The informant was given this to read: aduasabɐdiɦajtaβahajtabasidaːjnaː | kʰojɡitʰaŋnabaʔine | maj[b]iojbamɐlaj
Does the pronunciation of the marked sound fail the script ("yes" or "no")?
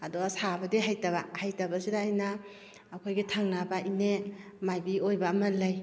no